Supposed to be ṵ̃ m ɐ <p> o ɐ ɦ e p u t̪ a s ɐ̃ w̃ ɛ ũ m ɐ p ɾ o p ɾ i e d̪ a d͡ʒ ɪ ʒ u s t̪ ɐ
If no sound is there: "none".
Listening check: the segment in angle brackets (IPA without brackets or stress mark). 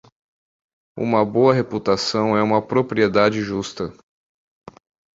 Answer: b